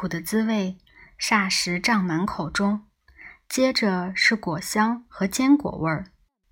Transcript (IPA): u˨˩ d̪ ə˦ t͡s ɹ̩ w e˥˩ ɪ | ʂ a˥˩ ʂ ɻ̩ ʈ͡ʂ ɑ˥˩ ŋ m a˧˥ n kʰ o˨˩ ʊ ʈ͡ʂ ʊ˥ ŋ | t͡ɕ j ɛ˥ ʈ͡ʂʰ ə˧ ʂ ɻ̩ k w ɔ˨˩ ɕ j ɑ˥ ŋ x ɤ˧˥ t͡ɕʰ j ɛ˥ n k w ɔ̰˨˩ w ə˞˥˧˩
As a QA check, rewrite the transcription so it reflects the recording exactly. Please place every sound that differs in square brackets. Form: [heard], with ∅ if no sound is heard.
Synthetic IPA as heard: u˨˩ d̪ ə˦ t͡s ɹ̩ w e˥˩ ɪ | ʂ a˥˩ ʂ ɻ̩ ʈ͡ʂ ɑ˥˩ ŋ m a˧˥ n kʰ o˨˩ ʊ ʈ͡ʂ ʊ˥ ŋ | t͡ɕ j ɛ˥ [ʈ͡ʂ] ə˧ ʂ ɻ̩ k w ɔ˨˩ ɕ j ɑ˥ ŋ x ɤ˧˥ [t͡ɕ] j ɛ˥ n k w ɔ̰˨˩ w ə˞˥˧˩